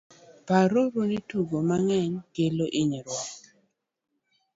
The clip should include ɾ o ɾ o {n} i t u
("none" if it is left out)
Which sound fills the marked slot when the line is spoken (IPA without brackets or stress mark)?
n